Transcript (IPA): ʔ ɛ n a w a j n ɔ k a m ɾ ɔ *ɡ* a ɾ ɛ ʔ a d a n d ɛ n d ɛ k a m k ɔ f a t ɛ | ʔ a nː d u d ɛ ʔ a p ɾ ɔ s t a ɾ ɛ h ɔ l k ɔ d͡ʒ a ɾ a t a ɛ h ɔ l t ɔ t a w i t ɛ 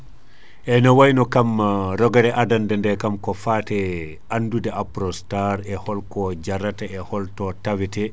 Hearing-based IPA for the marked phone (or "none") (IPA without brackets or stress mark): ɡ